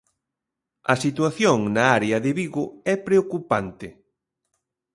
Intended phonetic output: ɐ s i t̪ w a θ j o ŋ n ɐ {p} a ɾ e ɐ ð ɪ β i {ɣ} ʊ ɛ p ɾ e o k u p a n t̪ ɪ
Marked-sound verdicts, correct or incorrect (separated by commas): incorrect, correct